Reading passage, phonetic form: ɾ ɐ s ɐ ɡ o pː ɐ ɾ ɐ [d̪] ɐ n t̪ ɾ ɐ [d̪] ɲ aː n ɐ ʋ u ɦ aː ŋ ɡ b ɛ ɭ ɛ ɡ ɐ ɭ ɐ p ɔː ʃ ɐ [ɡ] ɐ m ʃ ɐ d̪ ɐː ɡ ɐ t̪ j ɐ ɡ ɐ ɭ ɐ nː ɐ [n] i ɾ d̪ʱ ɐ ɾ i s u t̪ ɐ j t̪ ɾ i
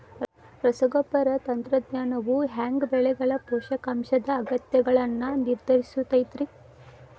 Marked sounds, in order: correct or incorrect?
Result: incorrect, correct, incorrect, correct

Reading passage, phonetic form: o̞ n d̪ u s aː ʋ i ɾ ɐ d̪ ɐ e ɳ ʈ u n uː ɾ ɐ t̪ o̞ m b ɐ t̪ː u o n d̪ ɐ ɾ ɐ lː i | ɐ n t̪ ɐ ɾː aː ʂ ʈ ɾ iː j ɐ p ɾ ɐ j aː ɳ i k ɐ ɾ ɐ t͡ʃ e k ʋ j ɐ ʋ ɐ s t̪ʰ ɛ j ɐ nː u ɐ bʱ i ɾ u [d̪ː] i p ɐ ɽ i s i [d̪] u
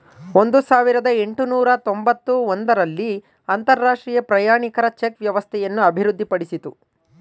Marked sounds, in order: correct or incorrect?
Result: correct, incorrect

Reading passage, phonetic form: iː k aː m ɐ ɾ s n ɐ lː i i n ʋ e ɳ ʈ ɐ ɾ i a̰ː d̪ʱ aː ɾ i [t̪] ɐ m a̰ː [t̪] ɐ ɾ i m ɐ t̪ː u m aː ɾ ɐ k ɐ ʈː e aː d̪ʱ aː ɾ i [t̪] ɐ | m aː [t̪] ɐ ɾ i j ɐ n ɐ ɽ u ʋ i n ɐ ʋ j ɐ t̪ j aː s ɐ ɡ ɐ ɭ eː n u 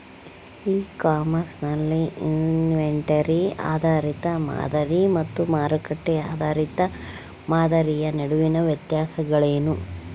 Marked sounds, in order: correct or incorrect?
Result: correct, incorrect, correct, incorrect

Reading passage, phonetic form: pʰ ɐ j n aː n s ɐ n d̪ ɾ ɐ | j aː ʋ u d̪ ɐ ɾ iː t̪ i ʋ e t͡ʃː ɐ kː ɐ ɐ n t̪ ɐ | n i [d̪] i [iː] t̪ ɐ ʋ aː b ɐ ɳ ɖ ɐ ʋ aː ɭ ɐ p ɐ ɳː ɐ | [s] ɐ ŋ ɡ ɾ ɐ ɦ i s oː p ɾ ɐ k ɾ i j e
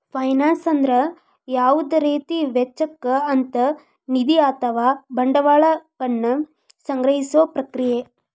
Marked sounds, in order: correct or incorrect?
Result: correct, incorrect, correct

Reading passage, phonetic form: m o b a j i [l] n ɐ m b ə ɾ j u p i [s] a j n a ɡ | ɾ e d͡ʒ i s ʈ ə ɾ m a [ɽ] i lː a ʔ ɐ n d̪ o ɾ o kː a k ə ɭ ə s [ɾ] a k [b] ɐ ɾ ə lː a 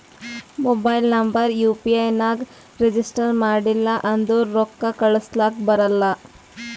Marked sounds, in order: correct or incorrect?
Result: correct, incorrect, correct, incorrect, correct

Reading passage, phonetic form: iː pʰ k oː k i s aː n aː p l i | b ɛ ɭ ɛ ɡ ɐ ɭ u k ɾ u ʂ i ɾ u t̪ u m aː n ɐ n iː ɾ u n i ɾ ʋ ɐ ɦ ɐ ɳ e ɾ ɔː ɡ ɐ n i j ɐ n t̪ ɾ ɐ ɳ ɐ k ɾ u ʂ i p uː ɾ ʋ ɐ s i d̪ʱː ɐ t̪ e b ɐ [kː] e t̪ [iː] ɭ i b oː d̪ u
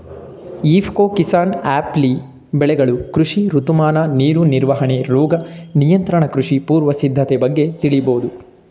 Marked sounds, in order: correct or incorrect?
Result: incorrect, incorrect

